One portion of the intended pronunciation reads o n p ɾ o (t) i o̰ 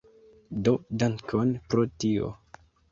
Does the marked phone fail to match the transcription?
no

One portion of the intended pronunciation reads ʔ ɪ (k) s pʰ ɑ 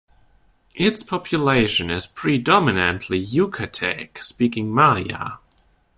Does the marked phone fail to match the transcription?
yes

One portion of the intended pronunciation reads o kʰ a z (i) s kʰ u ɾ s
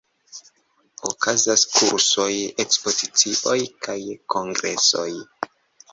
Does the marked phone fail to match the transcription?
yes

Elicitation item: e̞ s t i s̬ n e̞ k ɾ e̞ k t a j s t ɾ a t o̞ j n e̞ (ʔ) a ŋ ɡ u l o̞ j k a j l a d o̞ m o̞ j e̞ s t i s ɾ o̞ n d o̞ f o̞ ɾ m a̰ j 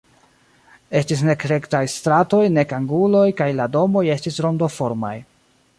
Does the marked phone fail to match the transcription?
yes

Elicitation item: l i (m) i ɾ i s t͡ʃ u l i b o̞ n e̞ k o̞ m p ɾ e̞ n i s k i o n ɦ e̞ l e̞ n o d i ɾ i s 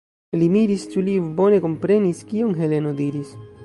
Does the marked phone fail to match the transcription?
no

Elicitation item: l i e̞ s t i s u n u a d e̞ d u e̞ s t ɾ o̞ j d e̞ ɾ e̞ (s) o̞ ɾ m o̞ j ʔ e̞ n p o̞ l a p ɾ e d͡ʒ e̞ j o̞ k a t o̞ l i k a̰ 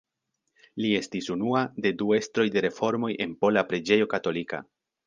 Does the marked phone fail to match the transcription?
yes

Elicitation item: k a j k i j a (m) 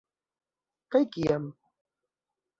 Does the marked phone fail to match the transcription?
no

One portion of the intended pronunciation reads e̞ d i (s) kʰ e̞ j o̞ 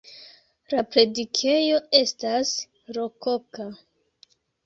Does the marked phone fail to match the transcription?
yes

